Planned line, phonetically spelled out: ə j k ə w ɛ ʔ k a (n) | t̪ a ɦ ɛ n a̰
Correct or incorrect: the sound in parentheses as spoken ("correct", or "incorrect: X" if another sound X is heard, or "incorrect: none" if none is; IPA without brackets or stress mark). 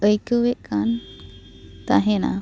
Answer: correct